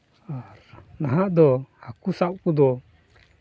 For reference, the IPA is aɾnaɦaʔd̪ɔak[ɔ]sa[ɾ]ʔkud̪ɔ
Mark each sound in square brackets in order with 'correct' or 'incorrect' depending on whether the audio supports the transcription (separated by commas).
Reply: incorrect, incorrect